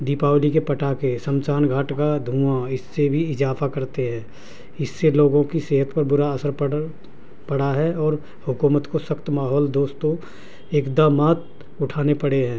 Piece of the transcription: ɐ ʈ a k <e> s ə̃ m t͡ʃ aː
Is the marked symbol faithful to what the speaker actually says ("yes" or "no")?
yes